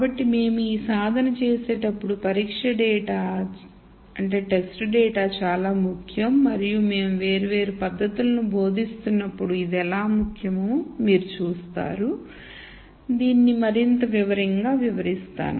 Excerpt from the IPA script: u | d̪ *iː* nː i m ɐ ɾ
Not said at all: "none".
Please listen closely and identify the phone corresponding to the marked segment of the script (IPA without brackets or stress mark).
iː